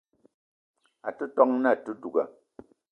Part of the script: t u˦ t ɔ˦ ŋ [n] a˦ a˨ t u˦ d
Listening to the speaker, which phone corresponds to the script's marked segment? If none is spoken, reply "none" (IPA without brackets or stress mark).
n